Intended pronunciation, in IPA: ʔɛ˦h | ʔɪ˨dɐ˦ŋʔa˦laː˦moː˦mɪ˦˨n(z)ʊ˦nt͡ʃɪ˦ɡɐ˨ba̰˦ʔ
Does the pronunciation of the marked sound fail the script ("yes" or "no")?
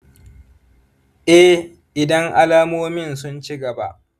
yes